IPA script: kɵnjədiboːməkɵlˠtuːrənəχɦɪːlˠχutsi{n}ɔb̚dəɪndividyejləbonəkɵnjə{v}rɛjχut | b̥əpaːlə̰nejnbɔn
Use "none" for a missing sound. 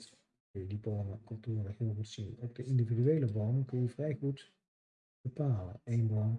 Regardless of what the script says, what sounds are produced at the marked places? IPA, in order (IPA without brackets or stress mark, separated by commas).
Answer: n, v